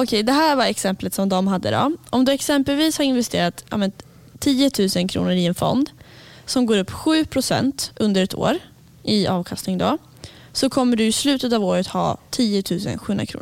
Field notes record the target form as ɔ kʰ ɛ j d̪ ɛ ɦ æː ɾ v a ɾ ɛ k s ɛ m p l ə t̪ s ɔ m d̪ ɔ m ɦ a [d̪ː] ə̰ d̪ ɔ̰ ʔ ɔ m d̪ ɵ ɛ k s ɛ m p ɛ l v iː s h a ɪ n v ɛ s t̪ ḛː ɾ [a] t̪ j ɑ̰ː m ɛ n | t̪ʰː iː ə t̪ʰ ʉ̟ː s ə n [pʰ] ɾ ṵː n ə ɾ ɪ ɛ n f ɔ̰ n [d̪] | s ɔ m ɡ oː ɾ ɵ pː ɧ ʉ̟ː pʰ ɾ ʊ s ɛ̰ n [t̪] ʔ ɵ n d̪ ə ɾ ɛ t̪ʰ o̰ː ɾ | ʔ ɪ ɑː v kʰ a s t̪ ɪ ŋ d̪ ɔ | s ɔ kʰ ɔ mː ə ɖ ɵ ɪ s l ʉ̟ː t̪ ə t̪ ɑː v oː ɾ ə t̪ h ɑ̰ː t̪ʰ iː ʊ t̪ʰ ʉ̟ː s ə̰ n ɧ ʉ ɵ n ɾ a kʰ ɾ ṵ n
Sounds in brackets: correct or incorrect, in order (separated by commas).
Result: correct, correct, incorrect, correct, correct